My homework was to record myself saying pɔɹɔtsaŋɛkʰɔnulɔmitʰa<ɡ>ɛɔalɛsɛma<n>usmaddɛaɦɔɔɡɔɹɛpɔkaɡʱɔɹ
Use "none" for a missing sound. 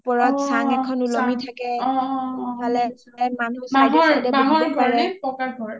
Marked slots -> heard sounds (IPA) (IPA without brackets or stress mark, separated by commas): k, n